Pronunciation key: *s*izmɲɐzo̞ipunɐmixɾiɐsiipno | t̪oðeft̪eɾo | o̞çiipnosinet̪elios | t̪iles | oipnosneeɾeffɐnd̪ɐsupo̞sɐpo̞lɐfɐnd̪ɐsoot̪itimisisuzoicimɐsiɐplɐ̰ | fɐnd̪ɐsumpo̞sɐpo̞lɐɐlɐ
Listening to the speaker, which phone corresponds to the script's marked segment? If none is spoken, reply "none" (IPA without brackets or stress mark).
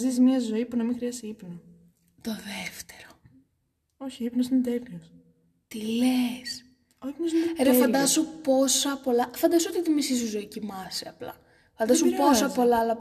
z